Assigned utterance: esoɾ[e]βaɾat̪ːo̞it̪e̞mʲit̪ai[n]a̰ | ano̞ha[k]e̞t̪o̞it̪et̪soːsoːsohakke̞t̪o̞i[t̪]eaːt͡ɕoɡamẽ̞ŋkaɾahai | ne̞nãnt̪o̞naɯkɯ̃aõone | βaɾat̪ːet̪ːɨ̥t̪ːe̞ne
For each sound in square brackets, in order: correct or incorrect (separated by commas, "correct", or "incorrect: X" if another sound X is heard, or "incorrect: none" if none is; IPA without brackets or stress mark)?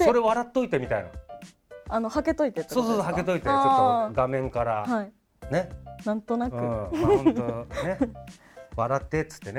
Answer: correct, correct, correct, correct